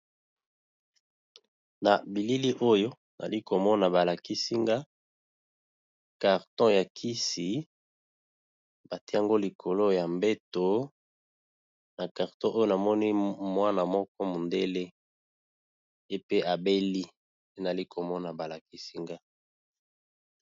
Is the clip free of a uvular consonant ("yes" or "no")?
no